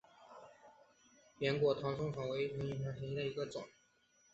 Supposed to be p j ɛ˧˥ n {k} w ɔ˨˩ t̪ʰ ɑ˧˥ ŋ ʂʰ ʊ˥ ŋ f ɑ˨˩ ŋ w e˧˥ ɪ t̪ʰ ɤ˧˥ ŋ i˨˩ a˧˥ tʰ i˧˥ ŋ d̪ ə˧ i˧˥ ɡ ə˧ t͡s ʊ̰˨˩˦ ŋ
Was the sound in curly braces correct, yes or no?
yes